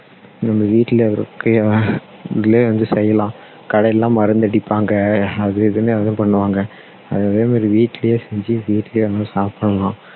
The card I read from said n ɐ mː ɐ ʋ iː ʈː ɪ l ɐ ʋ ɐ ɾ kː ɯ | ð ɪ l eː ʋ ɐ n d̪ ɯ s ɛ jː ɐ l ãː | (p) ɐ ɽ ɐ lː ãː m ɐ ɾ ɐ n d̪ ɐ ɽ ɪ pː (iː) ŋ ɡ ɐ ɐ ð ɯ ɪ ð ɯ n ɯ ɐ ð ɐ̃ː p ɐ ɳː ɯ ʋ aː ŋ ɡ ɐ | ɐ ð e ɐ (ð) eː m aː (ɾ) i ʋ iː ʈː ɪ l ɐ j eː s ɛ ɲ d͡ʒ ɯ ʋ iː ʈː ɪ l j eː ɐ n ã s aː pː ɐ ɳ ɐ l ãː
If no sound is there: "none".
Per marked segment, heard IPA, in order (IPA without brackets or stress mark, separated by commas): k, aː, ð, ɾ